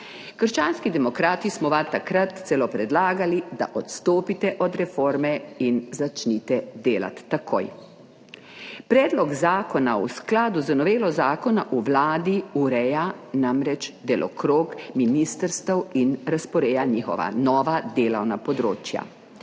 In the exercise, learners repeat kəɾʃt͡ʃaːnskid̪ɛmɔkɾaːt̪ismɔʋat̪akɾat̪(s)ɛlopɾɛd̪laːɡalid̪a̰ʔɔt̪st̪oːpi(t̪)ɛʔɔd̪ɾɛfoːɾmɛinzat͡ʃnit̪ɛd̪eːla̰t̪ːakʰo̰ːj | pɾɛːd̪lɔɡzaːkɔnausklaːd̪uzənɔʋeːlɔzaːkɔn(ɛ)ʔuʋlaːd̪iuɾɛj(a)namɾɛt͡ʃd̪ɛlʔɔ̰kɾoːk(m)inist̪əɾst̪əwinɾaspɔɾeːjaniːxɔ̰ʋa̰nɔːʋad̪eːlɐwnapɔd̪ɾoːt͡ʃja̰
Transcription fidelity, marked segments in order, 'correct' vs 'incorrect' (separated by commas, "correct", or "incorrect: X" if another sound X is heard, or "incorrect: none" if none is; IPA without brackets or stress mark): correct, correct, incorrect: a, correct, correct